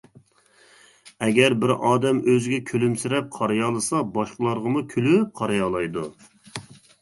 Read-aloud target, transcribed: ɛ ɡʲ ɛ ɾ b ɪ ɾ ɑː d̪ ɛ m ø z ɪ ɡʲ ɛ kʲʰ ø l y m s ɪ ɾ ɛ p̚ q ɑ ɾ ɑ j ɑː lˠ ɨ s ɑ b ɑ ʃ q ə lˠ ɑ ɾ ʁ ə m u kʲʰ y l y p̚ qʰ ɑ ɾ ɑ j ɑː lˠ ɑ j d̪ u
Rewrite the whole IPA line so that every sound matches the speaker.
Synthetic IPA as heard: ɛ ɡʲ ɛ ɾ b ɪ ɾ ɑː d̪ ɛ m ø z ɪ ɡʲ ɛ kʲʰ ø l y m s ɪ ɾ ɛ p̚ qʰ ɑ ɾ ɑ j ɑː lˠ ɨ s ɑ b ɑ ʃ q ə lˠ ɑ ɾ ʁ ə m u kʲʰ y l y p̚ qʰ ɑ ɾ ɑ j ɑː lˠ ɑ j d̪ u